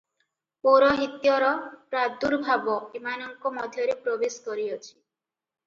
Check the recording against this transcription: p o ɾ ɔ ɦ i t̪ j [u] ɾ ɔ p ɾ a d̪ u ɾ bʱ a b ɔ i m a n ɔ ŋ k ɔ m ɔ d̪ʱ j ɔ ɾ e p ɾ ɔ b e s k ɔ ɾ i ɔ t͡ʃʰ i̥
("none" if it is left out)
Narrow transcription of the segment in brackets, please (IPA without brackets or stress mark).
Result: ɔ